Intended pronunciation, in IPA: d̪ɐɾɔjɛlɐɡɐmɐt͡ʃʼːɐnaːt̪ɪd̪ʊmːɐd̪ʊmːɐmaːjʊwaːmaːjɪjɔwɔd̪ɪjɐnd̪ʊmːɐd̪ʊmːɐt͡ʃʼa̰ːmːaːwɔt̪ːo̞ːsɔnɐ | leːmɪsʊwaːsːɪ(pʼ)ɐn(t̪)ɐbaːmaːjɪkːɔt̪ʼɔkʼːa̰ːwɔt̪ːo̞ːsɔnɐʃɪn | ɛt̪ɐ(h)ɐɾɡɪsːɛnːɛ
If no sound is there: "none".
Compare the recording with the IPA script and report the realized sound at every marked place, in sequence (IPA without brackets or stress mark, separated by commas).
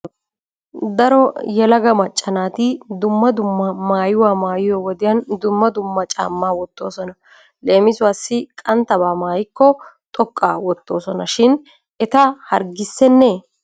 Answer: kʼ, t̪, h